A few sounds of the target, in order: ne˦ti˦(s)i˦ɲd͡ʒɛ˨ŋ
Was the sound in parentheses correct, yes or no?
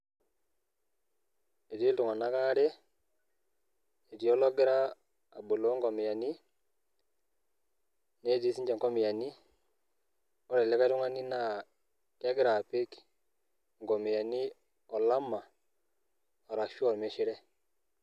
yes